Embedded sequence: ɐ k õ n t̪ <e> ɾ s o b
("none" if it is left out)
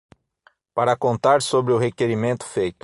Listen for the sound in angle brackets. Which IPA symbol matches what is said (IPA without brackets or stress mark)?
a